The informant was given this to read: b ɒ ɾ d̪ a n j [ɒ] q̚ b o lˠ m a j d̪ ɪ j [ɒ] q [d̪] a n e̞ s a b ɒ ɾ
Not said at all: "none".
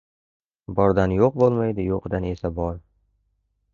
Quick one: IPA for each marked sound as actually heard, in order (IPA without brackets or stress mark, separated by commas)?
o, o, d̪